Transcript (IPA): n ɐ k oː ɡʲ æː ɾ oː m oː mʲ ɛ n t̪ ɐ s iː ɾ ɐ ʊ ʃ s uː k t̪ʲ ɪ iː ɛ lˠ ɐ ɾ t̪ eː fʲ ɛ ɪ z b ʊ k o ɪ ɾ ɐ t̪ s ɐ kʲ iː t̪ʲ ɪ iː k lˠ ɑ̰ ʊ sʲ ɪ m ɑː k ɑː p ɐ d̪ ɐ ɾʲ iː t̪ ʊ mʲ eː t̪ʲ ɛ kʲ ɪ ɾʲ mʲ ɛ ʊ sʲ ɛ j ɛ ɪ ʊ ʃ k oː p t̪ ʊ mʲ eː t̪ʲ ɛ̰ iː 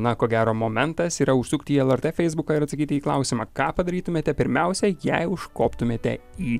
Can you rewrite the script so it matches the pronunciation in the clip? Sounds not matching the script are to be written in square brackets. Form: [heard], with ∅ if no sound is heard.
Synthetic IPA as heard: n ɐ k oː ɡʲ æː ɾ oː m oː mʲ ɛ n t̪ ɐ s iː ɾ ɐ ʊ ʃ s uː k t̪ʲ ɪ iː ɛ lˠ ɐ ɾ t̪ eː fʲ ɛ ɪ z b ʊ k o ɪ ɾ ɐ t̪ s ɐ kʲ iː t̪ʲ ɪ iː k lˠ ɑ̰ ʊ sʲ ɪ m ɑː k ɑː p ɐ d̪ ɐ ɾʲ iː t̪ ʊ mʲ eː t̪ʲ ɛ [pʲ] ɪ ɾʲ mʲ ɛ ʊ sʲ ɛ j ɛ ɪ ʊ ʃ k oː p t̪ ʊ mʲ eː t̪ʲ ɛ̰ iː